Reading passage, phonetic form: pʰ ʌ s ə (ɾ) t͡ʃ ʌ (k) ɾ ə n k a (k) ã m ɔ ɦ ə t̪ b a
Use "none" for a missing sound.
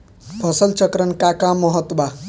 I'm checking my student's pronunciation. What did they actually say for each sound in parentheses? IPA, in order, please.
l, k, k

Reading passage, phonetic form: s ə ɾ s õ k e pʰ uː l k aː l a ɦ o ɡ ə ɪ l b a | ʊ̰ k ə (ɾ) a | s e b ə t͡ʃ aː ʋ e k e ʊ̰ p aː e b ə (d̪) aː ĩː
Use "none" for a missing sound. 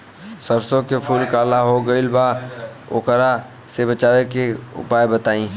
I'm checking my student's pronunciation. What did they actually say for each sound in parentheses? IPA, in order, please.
ɾ, t̪

